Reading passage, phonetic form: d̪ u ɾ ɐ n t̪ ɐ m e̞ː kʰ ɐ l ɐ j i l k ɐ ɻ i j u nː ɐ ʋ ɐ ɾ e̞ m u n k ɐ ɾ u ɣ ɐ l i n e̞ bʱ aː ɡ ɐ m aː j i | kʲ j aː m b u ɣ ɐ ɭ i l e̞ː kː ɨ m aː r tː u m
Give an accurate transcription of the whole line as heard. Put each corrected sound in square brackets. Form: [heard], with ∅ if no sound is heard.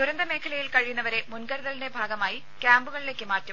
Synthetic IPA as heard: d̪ u ɾ ɐ n [d̪] ɐ m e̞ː kʰ ɐ l ɐ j i l k ɐ ɻ i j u nː ɐ ʋ ɐ ɾ e̞ m u n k ɐ ɾ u [ð] ɐ l i n e̞ bʱ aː ɡ ɐ m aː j i | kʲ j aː m b u ɣ ɐ ɭ i l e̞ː kː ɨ m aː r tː u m